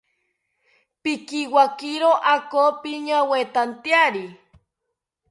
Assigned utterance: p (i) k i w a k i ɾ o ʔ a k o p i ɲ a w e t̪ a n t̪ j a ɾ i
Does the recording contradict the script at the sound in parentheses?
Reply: no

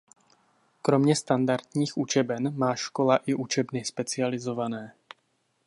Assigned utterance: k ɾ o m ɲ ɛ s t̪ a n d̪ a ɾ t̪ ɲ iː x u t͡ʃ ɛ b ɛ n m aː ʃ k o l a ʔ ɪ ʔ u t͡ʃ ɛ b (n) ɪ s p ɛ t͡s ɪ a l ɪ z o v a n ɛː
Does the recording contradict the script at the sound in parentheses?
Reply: no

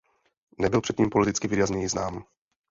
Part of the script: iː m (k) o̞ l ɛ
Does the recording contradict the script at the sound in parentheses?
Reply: yes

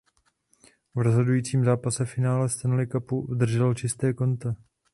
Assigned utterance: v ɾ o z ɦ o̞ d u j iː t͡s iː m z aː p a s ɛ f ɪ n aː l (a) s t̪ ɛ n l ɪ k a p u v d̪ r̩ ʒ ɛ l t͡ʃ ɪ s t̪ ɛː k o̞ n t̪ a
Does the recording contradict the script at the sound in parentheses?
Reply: yes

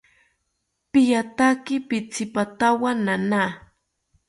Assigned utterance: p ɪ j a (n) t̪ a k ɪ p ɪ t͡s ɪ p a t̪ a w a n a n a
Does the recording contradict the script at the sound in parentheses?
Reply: yes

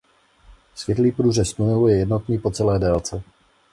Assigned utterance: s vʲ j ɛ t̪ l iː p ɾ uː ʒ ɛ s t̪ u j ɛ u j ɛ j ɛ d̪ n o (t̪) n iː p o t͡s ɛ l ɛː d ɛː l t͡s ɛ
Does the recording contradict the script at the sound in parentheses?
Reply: no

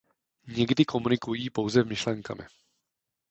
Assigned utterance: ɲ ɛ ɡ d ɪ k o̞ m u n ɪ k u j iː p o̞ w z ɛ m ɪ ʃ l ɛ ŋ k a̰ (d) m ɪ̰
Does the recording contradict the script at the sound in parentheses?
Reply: yes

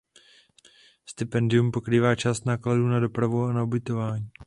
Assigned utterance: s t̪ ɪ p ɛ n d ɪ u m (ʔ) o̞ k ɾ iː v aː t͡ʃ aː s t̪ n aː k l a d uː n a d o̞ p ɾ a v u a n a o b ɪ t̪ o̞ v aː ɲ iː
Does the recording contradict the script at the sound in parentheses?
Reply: yes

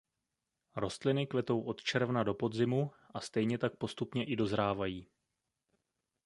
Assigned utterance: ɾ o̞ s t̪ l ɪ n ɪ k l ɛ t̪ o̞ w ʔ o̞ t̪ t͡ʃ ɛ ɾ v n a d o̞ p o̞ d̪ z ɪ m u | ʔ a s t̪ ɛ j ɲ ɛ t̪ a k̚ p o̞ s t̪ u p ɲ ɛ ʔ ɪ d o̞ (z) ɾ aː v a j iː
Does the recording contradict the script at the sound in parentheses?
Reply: no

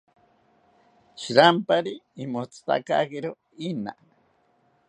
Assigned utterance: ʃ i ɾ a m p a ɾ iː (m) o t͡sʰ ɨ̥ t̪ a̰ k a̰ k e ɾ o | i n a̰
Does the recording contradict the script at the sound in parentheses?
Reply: no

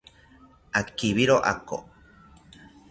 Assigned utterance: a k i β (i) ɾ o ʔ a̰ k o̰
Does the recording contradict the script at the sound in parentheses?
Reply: no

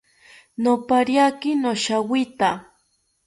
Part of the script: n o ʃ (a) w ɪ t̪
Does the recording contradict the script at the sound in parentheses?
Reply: no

